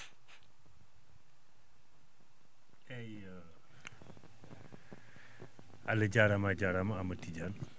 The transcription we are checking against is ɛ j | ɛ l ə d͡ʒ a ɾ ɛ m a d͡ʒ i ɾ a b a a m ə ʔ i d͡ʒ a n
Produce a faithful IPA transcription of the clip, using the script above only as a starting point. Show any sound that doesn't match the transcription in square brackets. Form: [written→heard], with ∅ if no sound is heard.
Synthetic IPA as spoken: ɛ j | [ɛ→a] l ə d͡ʒ a ɾ [ɛ→a] m a d͡ʒ [i→a] ɾ a [b→m] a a m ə [ʔ→t] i d͡ʒ a n